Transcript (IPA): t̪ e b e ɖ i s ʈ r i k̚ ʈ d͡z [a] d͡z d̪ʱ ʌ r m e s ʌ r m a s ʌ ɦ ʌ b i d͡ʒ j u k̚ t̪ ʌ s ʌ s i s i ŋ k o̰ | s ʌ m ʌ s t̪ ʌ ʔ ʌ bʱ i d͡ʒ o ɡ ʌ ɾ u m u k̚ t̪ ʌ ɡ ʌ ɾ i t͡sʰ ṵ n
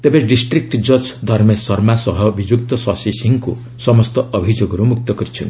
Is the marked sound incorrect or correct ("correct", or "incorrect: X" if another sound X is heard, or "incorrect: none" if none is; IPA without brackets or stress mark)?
incorrect: ʌ